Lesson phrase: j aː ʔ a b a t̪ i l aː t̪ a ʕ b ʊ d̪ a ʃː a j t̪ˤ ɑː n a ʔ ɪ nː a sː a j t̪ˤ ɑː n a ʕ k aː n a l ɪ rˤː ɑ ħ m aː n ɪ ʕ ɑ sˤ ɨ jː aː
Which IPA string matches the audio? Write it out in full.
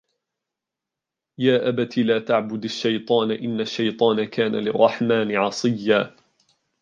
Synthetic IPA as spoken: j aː ʔ a b a t̪ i l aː t̪ a ʕ b ʊ d̪ a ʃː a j t̪ˤ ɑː n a ʔ ɪ nː a ʃː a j t̪ˤ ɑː n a k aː n a l ɪ rˤː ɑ ħ m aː n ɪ ʕ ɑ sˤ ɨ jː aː

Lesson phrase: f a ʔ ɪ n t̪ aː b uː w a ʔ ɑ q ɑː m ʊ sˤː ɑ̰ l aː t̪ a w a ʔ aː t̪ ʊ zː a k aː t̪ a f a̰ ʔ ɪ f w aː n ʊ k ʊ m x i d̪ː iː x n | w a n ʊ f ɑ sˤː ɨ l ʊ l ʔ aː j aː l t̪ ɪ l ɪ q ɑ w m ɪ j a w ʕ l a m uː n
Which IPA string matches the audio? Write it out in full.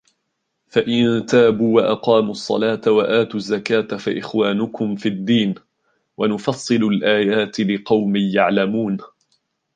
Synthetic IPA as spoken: f a ʔ ɪ n t̪ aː b uː w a ʔ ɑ q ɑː m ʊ sˤː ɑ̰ l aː t̪ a w a ʔ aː t̪ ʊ zː a k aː t̪ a f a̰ ʔ ɪ x w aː n ʊ k ʊ m f i d̪ː iː n | w a n ʊ f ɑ sˤː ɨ l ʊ l ʔ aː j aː t̪ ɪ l ɪ q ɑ w m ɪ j a ʕ l a m uː n

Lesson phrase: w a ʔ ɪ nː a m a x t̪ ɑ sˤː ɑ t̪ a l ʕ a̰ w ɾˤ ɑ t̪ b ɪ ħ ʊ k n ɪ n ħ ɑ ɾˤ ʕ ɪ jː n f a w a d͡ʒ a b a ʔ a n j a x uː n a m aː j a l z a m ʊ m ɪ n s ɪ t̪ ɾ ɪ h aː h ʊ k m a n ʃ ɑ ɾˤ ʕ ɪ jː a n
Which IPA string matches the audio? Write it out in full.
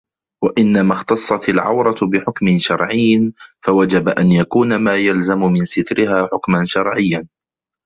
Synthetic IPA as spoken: w a ʔ ɪ nː a m a x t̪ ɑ sˤː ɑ t̪ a l ʕ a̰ w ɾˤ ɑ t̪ b ɪ ħ ʊ k m ɪ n ʃ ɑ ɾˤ ʕ ɪ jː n f a w a d͡ʒ a b a ʔ a n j a k uː n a m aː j a l z a m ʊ m ɪ n s ɪ t̪ ɾ ɪ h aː ħ ʊ k m a n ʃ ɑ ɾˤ ʕ ɪ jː a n

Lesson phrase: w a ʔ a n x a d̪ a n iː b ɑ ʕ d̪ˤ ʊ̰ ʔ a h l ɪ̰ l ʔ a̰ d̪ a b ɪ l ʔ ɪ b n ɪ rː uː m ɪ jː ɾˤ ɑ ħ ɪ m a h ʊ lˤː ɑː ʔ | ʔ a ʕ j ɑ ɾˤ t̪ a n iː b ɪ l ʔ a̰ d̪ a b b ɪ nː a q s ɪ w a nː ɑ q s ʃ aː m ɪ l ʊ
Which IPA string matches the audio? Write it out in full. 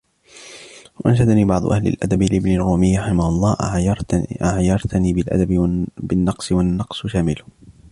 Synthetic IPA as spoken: w a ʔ a n ʃ a d̪ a n iː b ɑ ʕ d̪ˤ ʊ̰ ʔ a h l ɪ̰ l ʔ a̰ d̪ a b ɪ l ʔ ɪ b n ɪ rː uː m ɪ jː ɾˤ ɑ ħ ɪ m a h ʊ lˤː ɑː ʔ | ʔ a ʕ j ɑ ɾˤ t̪ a n iː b ɪ l ʔ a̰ d̪ a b b ɪ nː ɑ q s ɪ w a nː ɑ q s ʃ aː m ɪ l ʊ

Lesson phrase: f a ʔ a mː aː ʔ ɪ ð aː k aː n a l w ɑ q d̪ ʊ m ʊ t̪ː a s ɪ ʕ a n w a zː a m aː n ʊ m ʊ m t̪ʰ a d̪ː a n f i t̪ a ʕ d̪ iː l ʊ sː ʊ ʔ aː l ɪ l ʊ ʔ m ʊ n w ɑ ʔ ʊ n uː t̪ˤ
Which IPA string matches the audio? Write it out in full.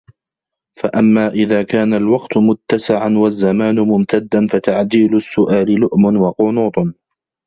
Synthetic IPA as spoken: f a ʔ a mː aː ʔ ɪ ð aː k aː n a l w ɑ q t̪ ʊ m ʊ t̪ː a s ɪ ʕ a n w a zː a m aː n ʊ m ʊ m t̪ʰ a d̪ː a n f a t̪ a ʕ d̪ iː l ʊ sː ʊ ʔ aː l ɪ l ʊ ʔ m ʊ n w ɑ q ʊ n uː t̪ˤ

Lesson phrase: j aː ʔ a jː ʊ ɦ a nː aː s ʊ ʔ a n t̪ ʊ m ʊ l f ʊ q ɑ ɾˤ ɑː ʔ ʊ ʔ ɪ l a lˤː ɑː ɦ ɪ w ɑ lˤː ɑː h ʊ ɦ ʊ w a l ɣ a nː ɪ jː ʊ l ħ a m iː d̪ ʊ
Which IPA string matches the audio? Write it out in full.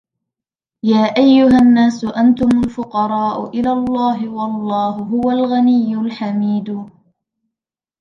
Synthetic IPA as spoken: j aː ʔ a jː ʊ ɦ a nː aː s ʊ ʔ a n t̪ ʊ m ʊ l f ʊ q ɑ ɾˤ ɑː ʔ ʊ ʔ ɪ l a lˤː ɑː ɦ ɪ w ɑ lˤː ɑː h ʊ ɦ ʊ w a l ɣ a n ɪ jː ʊ l ħ a m iː d̪ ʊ

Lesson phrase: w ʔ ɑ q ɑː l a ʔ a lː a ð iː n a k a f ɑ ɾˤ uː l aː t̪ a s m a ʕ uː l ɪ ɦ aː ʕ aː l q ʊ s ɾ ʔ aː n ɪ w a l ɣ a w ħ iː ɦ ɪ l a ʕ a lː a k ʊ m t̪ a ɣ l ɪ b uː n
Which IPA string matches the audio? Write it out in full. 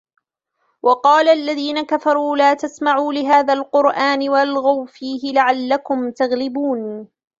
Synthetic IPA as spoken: w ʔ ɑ q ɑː l a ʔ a lː a ð iː n a k a f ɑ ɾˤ uː l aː t̪ a s m a ʕ uː l ɪ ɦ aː ð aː l q ʊ ɾ ʔ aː n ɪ w a l ɣ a w f iː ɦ ɪ l a ʕ a lː a k ʊ m t̪ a ɣ l ɪ b uː n

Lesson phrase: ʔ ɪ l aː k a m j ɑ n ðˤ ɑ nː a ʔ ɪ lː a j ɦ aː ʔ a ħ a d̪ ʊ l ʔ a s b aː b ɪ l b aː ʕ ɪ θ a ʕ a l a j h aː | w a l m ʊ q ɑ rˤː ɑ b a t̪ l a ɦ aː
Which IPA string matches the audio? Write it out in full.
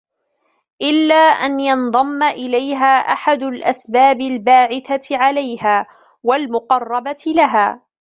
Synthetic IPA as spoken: ʔ ɪ lː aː ʔ a n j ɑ n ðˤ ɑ mː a ʔ ɪ l a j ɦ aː ʔ a ħ a d̪ ʊ l ʔ a s b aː b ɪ l b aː ʕ ɪ θ a ʕ a l a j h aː | w a l m ʊ q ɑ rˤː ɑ b a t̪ l a ɦ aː

